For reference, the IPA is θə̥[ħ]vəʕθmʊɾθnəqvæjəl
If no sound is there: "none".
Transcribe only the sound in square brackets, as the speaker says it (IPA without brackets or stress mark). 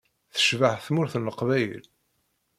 ʃ